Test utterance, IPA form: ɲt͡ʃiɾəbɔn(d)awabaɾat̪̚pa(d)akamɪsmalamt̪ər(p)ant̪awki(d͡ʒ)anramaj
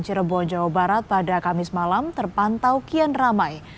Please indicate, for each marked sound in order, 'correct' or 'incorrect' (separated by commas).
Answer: incorrect, correct, correct, incorrect